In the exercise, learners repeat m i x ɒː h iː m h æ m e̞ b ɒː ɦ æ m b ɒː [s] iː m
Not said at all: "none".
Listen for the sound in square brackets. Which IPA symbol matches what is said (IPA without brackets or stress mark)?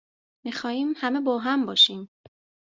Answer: ʃ